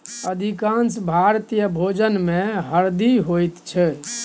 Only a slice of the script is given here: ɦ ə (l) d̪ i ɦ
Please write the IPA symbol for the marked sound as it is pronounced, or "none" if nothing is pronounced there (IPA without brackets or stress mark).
ɾ